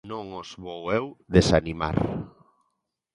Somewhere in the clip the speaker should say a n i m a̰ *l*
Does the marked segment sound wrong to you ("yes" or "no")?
yes